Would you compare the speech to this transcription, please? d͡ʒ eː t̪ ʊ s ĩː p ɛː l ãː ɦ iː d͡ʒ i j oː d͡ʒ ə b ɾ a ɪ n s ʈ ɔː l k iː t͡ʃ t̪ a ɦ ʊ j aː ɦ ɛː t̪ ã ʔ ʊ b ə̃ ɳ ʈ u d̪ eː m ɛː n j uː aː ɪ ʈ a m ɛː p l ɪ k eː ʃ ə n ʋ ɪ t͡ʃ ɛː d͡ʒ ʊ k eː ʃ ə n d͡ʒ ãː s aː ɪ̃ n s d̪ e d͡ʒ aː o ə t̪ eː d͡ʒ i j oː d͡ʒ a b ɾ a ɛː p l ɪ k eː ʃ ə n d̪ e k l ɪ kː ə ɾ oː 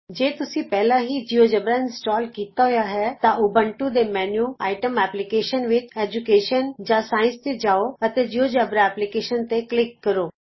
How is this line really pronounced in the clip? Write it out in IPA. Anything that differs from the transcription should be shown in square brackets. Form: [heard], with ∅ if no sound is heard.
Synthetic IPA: d͡ʒ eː t̪ ʊ s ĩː p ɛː l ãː ɦ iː d͡ʒ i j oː d͡ʒ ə b ɾ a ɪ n s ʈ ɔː l k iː [∅] t̪ a ɦ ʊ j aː ɦ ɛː t̪ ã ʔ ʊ b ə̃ ɳ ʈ u d̪ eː m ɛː n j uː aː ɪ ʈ [ə] m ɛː p l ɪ k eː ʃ ə n ʋ ɪ t͡ʃ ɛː d͡ʒ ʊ k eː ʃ ə n d͡ʒ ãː s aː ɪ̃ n s [t̪] e d͡ʒ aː o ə t̪ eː d͡ʒ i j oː d͡ʒ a b ɾ a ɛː p l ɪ k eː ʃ ə n [t̪] e k l ɪ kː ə ɾ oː

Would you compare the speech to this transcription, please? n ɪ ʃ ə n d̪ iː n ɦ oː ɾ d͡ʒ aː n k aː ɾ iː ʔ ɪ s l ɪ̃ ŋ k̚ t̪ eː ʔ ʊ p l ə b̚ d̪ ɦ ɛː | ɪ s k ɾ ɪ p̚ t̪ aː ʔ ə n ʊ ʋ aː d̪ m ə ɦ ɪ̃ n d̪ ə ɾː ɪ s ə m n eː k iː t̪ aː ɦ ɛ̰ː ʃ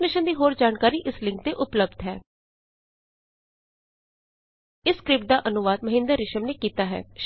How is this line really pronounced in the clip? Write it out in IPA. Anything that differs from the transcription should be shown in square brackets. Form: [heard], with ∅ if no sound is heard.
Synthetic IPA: n ɪ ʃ ə n d̪ iː [∅] ɦ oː ɾ d͡ʒ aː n k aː ɾ iː ʔ ɪ s l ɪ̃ ŋ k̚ t̪ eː ʔ ʊ p l ə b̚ d̪ ɦ ɛː | ɪ s k ɾ ɪ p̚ [d̪] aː ʔ ə n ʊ ʋ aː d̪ m ə ɦ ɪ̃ n d̪ ə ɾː ɪ [ʃ] ə m n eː k iː t̪ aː ɦ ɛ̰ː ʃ

